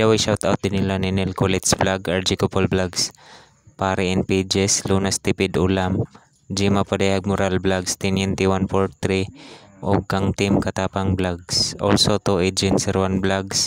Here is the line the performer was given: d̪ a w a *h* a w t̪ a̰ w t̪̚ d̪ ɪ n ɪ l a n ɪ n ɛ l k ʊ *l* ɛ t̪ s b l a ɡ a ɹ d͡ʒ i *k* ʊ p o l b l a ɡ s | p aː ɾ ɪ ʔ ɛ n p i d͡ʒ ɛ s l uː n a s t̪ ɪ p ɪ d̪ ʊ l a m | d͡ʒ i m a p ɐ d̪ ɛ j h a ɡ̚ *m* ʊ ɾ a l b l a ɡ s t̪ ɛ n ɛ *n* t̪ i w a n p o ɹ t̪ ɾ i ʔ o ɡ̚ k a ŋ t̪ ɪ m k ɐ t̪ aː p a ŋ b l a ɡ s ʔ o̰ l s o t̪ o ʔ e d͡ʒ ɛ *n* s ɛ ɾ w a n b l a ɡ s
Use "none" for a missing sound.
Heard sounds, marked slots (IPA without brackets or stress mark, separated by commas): ʃ, l, k, m, n, n